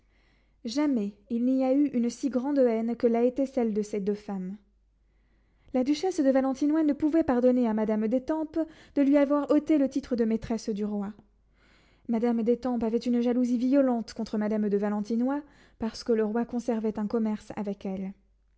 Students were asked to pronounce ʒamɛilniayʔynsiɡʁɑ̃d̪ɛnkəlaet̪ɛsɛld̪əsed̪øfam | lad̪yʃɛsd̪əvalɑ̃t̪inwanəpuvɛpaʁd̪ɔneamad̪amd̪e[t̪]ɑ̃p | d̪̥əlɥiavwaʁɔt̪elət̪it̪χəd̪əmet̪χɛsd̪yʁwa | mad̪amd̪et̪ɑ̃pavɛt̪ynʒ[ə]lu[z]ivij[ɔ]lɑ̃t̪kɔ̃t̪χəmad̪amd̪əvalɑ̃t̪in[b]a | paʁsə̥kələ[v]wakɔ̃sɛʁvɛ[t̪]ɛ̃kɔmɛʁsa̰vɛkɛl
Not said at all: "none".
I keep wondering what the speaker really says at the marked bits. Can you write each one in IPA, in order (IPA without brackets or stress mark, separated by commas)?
t̪, a, z, ɔ, w, ʁ, t̪